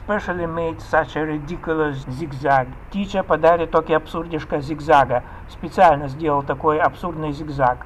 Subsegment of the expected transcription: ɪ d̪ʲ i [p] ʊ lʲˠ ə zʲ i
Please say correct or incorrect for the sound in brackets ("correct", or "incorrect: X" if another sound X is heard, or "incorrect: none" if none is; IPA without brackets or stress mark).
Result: incorrect: k